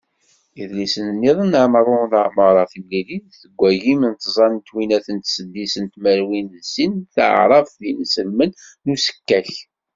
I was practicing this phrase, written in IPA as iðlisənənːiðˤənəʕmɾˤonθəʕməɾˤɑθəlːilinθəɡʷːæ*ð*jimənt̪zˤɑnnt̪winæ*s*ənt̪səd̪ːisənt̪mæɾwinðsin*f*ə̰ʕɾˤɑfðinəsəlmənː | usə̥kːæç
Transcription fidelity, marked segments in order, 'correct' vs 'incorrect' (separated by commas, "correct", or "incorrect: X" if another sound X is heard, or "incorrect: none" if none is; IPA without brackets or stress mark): incorrect: none, incorrect: θ, incorrect: θ